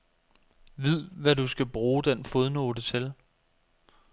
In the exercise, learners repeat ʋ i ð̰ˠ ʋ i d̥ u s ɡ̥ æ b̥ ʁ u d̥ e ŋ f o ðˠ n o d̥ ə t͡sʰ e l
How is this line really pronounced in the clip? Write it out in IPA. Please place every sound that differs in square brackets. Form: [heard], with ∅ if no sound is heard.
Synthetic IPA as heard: ʋ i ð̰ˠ ʋ [æ] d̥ u s ɡ̥ æ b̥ ʁ [uː] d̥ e [n] f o ðˠ n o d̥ ə t͡sʰ e l